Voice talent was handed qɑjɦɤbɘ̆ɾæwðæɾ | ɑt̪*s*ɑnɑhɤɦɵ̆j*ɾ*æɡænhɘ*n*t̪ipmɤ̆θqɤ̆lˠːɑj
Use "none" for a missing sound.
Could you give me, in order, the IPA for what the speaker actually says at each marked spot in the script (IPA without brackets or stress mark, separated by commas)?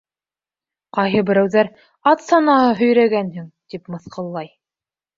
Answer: s, ɾ, ŋ